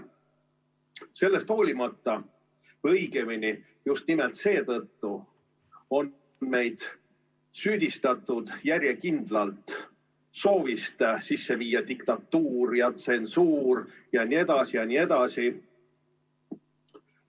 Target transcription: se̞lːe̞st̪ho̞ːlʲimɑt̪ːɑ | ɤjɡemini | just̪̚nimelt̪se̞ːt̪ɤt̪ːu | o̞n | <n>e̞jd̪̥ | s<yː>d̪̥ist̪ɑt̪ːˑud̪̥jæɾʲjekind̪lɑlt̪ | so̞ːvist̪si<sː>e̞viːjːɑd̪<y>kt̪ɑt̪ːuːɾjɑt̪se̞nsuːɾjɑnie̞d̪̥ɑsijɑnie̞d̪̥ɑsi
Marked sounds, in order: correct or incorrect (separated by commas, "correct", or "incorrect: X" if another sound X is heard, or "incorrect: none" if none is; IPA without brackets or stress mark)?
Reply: incorrect: m, correct, correct, incorrect: i